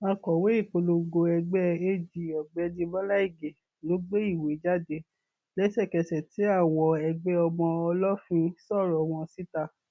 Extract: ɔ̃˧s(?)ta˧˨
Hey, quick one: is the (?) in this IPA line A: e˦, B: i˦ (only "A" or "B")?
B